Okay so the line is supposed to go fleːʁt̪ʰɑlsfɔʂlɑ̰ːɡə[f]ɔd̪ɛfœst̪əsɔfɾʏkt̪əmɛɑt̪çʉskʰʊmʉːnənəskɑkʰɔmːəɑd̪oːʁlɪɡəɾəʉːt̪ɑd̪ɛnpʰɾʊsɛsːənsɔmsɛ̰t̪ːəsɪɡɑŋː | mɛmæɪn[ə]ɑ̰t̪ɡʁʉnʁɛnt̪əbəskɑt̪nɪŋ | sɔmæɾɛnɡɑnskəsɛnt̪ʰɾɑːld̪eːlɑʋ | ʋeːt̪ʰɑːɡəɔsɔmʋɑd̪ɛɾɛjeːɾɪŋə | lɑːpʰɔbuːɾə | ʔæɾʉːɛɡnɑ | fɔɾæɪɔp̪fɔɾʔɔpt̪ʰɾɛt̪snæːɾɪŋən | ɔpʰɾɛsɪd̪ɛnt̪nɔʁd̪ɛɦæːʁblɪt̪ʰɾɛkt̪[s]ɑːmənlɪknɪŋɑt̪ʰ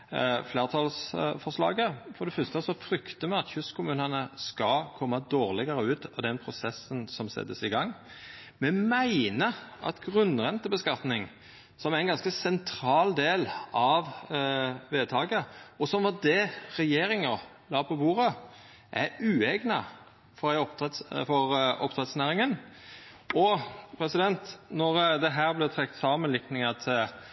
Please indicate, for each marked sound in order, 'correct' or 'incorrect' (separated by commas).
correct, correct, correct